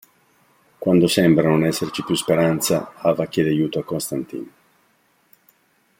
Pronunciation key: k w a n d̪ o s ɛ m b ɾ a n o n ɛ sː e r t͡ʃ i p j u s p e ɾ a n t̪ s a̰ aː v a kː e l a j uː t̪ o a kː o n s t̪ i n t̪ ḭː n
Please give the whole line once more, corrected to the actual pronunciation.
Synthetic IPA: k w a n d̪ o s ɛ m b ɾ a n o n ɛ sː e r t͡ʃ i p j u s p e ɾ a n t̪ s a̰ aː v a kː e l a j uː t̪ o a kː o n s t̪ a n t̪ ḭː n